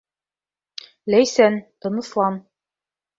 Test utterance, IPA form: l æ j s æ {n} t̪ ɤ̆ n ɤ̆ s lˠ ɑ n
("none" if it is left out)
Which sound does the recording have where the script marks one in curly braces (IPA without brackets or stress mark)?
n